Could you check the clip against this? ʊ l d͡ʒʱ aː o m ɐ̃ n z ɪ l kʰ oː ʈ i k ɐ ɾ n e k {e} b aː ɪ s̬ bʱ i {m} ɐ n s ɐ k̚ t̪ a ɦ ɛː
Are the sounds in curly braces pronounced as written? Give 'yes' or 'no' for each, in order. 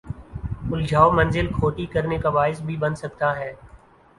no, no

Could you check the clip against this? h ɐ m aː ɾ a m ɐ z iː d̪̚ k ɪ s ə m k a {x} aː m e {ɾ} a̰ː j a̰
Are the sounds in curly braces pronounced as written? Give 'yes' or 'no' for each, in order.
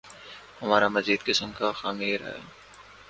yes, yes

